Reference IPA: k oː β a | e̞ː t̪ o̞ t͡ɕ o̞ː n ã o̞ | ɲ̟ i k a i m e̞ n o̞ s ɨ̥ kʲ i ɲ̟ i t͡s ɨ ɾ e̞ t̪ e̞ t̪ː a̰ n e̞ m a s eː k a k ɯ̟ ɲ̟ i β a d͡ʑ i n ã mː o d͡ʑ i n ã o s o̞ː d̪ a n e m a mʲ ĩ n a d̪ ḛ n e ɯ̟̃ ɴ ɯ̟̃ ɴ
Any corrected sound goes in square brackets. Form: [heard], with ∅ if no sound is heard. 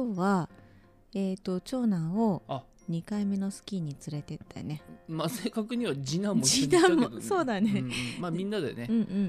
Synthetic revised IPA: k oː β a | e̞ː t̪ o̞ t͡ɕ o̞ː n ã o̞ | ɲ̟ i k a i m e̞ n o̞ s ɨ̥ kʲ i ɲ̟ i t͡s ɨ ɾ e̞ t̪ e̞ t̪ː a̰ n e̞ m a s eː k a k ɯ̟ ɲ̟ i β a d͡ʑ i n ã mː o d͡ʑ i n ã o s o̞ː d̪ a n e m a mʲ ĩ [nː] a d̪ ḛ n e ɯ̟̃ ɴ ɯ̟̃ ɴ